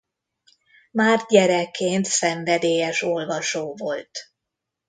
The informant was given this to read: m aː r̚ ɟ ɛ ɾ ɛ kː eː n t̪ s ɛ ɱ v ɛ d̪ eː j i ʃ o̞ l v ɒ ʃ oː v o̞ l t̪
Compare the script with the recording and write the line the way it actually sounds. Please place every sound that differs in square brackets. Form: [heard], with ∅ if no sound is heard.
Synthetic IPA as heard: m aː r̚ ɟ ɛ ɾ ɛ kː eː n t̪ s ɛ ɱ v ɛ d̪ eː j [ɛ] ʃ o̞ l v ɒ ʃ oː v o̞ l t̪